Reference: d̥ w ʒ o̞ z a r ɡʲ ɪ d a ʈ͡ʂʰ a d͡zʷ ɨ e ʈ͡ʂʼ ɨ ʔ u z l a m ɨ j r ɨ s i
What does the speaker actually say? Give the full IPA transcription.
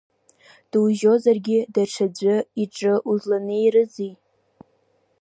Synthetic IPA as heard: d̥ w ʒ o̞ z a r ɡʲ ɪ d a ʈ͡ʂʰ a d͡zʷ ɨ i ʈ͡ʂʼ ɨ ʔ u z l a n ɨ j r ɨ z i